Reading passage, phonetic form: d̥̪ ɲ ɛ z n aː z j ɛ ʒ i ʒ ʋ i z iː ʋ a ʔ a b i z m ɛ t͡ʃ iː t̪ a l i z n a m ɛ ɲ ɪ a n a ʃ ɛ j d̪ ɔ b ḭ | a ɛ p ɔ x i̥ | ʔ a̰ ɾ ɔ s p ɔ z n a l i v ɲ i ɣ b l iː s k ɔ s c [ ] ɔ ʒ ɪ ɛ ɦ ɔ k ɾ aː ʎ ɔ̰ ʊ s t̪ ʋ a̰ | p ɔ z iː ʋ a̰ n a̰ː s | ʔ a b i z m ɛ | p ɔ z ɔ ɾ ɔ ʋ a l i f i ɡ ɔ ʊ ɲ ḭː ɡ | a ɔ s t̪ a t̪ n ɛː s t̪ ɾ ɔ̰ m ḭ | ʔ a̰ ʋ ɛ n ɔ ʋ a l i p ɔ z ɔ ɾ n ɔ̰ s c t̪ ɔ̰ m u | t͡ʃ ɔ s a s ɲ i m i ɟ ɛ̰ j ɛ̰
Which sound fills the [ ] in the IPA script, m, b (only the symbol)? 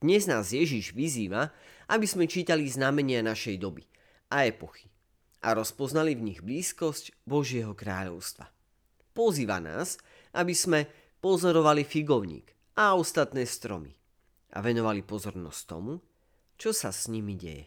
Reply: b